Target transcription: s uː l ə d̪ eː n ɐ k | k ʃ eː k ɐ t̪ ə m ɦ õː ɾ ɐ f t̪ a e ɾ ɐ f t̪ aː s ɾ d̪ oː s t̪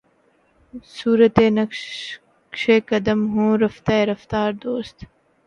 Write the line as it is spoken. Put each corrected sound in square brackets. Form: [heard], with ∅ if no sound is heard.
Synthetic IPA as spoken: s uː [ɾ] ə [t̪] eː n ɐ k | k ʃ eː k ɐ [d̪] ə m ɦ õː ɾ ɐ f t̪ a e ɾ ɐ f t̪ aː [∅] ɾ d̪ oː s t̪